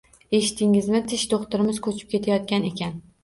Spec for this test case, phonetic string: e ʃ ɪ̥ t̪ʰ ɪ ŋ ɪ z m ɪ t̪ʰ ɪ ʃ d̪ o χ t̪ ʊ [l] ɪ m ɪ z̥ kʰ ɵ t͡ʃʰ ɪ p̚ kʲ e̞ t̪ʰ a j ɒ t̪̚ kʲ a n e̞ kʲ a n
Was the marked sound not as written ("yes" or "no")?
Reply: yes